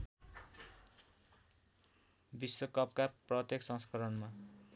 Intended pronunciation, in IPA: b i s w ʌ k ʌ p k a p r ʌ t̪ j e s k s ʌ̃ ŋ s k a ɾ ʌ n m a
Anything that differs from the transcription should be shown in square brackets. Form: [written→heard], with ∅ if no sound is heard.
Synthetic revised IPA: b i s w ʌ k ʌ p k a p r ʌ t̪ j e [s→∅] k s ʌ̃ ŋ s k [a→ʌ] ɾ ʌ n m a